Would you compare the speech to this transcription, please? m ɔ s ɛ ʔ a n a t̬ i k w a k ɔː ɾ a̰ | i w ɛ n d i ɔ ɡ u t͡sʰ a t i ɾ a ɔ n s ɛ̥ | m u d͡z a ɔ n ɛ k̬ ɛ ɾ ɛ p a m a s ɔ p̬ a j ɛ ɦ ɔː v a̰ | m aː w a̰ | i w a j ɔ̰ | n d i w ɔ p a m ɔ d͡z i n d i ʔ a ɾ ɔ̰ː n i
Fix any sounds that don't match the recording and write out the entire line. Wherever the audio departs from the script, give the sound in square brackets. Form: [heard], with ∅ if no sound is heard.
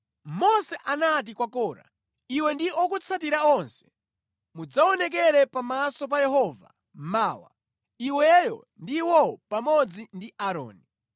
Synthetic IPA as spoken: m ɔ s ɛ ʔ a n a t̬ i k w a k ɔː ɾ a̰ | i w ɛ n d i ɔ [k] u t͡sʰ a t i ɾ a ɔ n s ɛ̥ | m u d͡z a ɔ n ɛ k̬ ɛ ɾ ɛ p a m a s ɔ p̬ a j ɛ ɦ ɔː v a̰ | m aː w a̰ | i w [ɛ] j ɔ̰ | n d i w ɔ p a m ɔ d͡z i n d i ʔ a ɾ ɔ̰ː n i

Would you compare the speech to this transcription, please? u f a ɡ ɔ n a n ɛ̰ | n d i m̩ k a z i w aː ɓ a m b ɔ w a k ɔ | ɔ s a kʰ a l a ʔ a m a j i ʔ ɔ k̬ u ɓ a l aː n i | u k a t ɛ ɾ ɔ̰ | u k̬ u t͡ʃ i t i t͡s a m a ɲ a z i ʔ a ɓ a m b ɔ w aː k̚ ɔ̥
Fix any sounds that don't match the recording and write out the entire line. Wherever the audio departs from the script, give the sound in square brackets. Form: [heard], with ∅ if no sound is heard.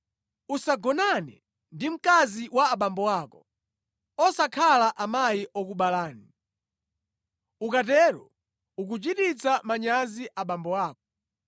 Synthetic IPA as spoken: u [s] a ɡ ɔ n a n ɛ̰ | n d i m̩ k a z i w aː ɓ a m b ɔ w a k ɔ | ɔ s a kʰ a l a ʔ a m a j i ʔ ɔ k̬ u ɓ a l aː n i | u k a t ɛ ɾ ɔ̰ | u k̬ u t͡ʃ i t i t͡s a m a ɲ a z i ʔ a ɓ a m b ɔ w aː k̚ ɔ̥

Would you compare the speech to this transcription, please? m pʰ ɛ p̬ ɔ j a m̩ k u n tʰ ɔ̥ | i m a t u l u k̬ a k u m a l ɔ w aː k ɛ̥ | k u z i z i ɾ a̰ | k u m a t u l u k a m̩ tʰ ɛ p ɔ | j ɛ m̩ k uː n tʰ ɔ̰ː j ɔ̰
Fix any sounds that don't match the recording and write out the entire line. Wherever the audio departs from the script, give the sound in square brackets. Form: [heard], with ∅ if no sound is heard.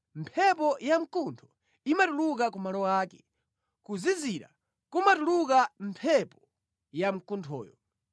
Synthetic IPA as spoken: m pʰ ɛ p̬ ɔ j a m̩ k u n tʰ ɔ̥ | i m a t u l u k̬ a k u m a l ɔ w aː k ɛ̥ | k u z i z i ɾ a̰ | k u m a t u l u k a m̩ [pʰ] ɛ p ɔ | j [a] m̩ k [u] n tʰ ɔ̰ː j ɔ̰

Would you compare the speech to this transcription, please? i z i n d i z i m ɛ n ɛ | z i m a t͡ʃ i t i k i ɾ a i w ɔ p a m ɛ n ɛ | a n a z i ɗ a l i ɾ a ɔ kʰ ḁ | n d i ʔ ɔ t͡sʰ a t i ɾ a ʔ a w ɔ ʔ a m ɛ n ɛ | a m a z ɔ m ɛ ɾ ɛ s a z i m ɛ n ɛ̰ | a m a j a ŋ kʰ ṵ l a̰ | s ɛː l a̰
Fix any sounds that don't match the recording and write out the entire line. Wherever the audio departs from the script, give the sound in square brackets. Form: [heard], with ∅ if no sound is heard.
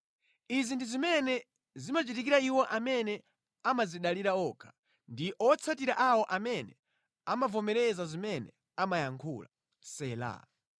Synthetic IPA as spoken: i z i n d i z i m ɛ n ɛ | z i m a t͡ʃ i t i k i ɾ a i w ɔ [ʔ] a m ɛ n ɛ | a [m] a z i ɗ a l i ɾ a ɔ kʰ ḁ | n d i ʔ ɔ t͡sʰ a t i ɾ a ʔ a w ɔ ʔ a m ɛ n ɛ | a m a [v] ɔ m ɛ ɾ ɛ [z] a z i m ɛ n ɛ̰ | a m a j a ŋ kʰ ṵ l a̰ | s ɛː l a̰

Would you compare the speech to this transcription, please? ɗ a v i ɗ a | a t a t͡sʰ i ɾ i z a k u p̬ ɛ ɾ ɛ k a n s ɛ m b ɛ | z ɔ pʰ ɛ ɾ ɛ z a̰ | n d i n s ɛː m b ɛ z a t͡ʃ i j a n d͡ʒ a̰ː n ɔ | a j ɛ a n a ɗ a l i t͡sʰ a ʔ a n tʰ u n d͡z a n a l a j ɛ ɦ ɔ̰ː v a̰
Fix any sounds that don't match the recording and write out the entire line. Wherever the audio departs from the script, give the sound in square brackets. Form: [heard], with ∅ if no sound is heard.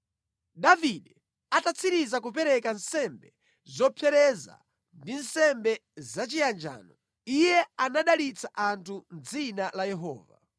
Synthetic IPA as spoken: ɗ a v i ɗ [ɛ] | a t a t͡sʰ i ɾ i z a k u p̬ ɛ ɾ ɛ k a n s ɛ m b ɛ | z ɔ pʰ ɛ ɾ ɛ z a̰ | n d i n s [ɛ] m b ɛ z a t͡ʃ i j a n d͡ʒ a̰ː n ɔ | [i] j ɛ a n a ɗ a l i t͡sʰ a ʔ a n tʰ u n d͡z [i] n a l a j ɛ ɦ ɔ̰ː v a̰

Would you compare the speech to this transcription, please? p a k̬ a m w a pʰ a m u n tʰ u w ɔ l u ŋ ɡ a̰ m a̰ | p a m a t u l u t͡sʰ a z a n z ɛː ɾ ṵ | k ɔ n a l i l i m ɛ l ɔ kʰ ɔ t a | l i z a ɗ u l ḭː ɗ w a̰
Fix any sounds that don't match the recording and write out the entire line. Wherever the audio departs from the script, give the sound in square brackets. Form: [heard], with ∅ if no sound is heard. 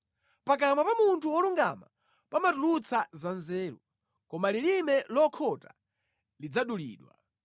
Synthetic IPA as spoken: p a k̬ a m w a [p] a m u n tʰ u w ɔ l u ŋ ɡ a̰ m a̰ | p a m a t u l u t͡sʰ a z a n z ɛː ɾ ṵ | k ɔ [m] a l i l i m ɛ l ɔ kʰ ɔ t a | l i [d͡z] a ɗ u l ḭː ɗ w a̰

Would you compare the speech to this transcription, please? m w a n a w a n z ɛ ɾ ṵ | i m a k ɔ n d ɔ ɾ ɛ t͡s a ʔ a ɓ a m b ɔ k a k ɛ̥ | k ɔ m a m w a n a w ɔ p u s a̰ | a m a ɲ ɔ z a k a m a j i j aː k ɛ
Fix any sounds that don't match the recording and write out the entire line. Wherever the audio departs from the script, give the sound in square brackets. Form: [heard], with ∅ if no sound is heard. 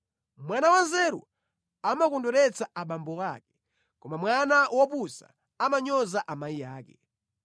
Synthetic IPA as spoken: m w a n a w a n z ɛ ɾ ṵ | [a] m a k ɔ n d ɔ ɾ ɛ t͡s a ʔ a ɓ a m b ɔ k a k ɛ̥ | k ɔ m a m w a n a w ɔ p u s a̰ | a m a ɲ ɔ z a [ʔ] a m a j i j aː k ɛ

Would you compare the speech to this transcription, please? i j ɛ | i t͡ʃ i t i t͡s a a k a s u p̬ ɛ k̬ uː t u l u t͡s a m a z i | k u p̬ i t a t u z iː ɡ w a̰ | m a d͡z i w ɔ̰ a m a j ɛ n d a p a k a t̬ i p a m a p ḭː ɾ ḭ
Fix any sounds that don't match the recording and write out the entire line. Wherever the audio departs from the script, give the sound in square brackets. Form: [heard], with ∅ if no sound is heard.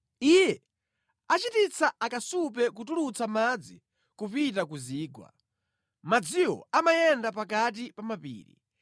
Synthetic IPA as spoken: i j ɛ | [a] t͡ʃ i t i t͡s a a k a s u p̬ ɛ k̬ [u] t u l u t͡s a m a [d͡z] i | k u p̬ i t a [k] u z iː ɡ w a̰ | m a d͡z i w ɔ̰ a m a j ɛ n d a p a k a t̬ i p a m a p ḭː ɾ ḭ

